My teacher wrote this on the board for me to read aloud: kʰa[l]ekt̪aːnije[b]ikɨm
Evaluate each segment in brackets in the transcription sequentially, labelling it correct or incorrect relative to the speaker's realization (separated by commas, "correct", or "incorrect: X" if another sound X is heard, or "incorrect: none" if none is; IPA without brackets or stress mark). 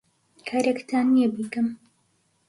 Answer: incorrect: ɾ, correct